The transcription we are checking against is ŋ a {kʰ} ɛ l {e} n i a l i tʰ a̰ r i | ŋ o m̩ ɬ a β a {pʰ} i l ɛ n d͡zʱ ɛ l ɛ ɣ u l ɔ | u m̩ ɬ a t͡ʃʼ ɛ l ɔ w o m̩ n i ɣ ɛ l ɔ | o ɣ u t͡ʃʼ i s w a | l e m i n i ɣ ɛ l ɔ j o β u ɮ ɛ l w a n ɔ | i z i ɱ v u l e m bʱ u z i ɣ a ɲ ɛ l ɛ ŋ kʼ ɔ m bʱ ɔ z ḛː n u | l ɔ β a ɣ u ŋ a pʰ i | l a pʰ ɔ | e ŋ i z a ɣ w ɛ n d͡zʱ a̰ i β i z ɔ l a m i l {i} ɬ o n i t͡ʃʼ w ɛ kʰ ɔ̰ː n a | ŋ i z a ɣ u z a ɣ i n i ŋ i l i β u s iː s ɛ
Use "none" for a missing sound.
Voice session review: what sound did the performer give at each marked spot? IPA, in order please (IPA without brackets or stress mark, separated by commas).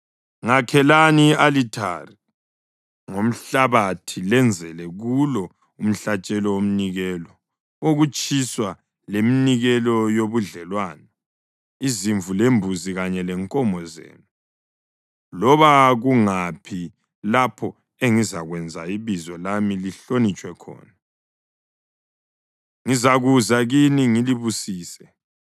kʰ, a, tʰ, i